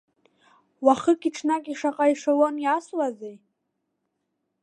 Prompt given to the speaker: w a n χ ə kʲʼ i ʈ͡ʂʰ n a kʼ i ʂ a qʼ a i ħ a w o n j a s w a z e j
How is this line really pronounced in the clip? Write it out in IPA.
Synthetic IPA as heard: w a χ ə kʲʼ i ʈ͡ʂʰ n a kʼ i ʂ a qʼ a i ʂ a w o n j a s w a z e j